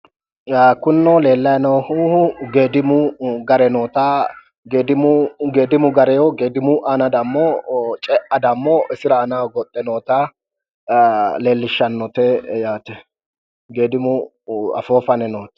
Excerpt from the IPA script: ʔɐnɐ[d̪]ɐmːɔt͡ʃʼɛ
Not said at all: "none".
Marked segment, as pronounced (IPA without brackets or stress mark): d̪